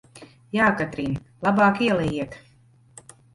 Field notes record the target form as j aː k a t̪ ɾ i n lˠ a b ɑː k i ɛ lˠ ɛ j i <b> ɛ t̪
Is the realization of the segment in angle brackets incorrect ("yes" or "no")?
yes